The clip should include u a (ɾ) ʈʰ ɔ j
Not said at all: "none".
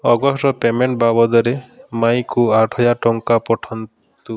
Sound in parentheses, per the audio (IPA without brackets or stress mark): none